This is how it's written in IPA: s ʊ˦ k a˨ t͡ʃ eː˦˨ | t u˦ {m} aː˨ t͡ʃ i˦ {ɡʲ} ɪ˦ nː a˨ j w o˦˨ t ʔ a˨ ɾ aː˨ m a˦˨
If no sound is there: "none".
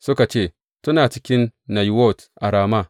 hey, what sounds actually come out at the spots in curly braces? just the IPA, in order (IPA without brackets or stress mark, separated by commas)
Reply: n, kʲ